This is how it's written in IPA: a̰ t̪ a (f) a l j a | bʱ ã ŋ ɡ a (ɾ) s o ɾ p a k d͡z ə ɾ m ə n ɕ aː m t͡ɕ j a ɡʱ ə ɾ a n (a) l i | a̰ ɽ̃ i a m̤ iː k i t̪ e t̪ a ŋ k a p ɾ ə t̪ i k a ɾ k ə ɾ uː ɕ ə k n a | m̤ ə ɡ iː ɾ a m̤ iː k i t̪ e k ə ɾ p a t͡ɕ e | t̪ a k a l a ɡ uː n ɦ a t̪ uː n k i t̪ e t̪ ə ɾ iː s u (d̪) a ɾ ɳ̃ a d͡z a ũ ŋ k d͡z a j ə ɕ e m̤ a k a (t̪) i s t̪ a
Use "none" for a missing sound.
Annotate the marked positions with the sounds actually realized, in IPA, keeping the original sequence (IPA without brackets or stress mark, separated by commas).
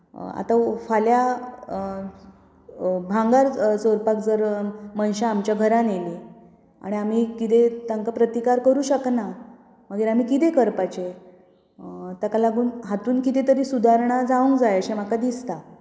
f, ɾ, e, d̪, d̪